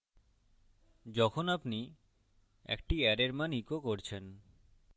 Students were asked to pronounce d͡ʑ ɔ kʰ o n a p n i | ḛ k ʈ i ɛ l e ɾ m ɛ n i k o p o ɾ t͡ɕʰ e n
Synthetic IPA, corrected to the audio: d͡ʑ ɔ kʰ o n a p n i | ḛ k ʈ i ɛ ɾ e ɾ m a n i k o k o ɾ t͡ɕʰ e n